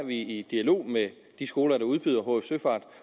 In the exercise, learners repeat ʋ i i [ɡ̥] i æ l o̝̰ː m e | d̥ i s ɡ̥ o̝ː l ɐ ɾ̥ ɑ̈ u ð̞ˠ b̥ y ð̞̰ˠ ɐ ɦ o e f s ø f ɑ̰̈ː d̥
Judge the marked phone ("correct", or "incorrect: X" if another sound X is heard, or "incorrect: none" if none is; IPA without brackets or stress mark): incorrect: d̥